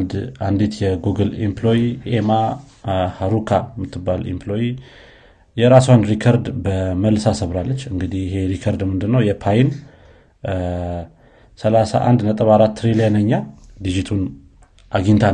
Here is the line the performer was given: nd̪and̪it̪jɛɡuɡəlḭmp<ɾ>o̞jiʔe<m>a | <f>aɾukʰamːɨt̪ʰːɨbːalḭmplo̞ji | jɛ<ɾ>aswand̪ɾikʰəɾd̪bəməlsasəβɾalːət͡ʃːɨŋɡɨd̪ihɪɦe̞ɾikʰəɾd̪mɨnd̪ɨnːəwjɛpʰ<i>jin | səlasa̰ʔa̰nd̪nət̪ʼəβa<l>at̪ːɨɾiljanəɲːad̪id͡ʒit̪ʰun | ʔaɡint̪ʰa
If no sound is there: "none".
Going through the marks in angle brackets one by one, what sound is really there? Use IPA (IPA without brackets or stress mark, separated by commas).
l, m, h, ɾ, a, ɾ